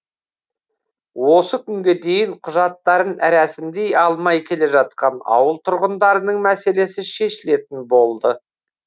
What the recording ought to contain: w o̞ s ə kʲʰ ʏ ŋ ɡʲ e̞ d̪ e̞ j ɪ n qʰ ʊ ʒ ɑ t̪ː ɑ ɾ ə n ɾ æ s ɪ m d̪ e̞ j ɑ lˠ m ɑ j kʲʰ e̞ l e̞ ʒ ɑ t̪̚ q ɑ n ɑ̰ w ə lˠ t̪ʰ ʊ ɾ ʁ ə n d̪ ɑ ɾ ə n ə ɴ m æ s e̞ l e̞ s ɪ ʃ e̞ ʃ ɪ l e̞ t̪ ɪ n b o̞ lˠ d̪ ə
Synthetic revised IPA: w o̞ s ə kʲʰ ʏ ŋ ɡʲ e̞ d̪ e̞ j ɪ ɴ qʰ ʊ ʒ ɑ t̪ː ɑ ɾ ə n ɾ æ s ɪ m d̪ e̞ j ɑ lˠ m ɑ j kʲʰ e̞ l e̞ ʒ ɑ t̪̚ q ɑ n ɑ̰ w ə lˠ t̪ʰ ʊ ɾ ʁ ə n d̪ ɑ ɾ ə n ə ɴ m æ s e̞ l e̞ s ɪ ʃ e̞ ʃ ɪ l e̞ t̪ ɪ n b o̞ lˠ d̪ ə